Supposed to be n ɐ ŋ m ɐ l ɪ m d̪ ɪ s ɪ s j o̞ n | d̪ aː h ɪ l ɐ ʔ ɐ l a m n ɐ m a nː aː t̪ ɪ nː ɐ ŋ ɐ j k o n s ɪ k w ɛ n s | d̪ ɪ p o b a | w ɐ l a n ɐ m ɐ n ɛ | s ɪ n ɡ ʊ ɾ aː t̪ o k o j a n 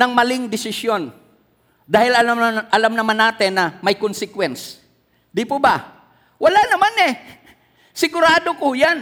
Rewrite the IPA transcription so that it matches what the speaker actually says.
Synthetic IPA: n ɐ ŋ m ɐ l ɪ ŋ d̪ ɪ s ɪ s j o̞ n | d̪ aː h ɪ l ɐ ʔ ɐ l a m n ɐ m a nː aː t̪ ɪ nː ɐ m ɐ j k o n s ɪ k w ɛ n s | d̪ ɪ p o b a | w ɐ l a n ɐ m a n ɛ | s ɪ ɡ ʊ ɾ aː d̪ o k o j a n